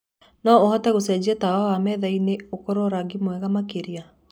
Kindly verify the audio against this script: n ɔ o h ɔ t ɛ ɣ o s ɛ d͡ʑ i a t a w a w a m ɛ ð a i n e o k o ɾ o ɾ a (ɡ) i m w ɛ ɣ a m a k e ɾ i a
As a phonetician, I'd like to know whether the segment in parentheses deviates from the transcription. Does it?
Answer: no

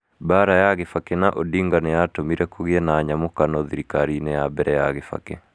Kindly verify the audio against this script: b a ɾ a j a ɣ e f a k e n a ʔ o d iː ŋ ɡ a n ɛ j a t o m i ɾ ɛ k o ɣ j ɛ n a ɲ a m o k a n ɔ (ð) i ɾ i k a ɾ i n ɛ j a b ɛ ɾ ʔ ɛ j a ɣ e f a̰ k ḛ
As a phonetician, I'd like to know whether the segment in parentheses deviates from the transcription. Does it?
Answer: no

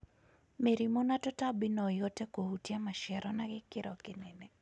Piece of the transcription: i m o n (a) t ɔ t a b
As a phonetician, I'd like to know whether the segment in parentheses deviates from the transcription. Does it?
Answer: no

